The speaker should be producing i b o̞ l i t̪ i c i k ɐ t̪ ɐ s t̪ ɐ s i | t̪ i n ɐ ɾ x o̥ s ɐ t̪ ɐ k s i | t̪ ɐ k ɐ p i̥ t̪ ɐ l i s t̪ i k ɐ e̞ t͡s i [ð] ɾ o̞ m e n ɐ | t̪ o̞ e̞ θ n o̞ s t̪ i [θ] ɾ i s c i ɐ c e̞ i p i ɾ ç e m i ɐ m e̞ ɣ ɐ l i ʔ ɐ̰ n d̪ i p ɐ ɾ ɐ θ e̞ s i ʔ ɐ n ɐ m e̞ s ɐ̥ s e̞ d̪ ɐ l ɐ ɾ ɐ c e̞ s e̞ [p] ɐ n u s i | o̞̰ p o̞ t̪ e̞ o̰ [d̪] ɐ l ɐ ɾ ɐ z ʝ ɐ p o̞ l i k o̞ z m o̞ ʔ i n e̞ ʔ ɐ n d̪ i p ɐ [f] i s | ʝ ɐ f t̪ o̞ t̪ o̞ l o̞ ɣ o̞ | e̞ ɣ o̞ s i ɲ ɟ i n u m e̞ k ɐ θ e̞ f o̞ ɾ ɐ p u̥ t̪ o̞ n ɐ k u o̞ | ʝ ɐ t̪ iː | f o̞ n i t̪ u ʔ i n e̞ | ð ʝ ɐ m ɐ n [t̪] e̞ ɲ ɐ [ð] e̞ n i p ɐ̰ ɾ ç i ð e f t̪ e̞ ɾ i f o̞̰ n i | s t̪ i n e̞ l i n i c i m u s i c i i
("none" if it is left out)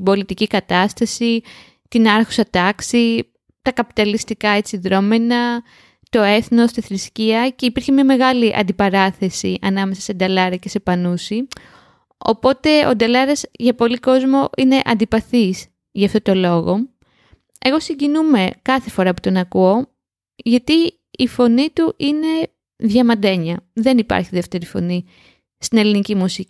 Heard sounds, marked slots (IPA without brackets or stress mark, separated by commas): ð, θ, p, d̪, θ, d̪, ð